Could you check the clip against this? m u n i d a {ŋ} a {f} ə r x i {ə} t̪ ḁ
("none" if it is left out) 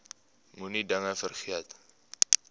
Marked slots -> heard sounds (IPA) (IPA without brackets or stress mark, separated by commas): ŋ, f, a